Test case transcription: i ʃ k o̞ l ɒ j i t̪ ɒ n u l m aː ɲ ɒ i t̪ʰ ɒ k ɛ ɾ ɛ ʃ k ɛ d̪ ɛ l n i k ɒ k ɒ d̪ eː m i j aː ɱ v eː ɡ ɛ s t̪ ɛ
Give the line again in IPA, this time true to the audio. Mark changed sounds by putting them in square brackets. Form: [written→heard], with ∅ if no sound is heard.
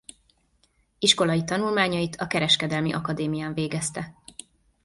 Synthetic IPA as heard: i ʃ k o̞ l ɒ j i t̪ ɒ n u l m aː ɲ ɒ i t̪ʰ ɒ k ɛ ɾ ɛ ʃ k ɛ d̪ ɛ l [n→m] i [k→ʔ] ɒ k ɒ d̪ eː m i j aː ɱ v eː ɡ ɛ s t̪ ɛ